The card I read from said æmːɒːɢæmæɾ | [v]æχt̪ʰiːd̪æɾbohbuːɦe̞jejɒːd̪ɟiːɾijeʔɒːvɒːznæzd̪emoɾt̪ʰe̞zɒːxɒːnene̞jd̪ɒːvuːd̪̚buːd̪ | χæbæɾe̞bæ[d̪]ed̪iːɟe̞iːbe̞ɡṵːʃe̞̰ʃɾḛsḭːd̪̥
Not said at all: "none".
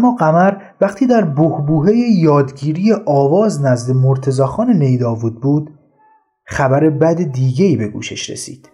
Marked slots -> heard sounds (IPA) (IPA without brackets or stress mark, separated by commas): v, d̪